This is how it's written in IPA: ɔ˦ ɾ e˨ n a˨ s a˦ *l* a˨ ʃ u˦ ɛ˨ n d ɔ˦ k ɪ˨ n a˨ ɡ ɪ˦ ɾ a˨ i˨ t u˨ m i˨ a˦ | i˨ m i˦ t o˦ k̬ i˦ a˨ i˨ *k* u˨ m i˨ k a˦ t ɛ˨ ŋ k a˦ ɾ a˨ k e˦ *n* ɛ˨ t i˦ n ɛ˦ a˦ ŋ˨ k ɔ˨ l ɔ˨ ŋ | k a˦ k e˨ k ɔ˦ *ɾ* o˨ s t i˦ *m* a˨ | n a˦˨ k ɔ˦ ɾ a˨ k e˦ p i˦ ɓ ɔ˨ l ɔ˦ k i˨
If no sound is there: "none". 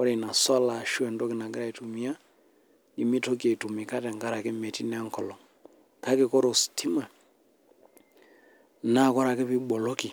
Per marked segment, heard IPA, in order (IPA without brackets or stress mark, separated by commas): l, t, m, ɾ, m